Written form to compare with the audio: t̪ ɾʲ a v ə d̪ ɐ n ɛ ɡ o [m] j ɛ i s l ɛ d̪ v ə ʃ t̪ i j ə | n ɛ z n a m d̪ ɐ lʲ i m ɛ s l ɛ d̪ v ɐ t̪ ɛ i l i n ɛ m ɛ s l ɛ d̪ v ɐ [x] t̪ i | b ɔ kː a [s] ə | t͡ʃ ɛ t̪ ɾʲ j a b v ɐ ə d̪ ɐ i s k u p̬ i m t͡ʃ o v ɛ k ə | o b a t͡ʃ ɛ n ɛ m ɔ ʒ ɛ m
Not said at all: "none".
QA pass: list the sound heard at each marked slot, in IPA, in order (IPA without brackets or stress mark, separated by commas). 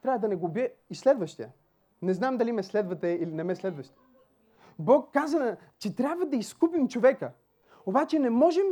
b, ʃ, z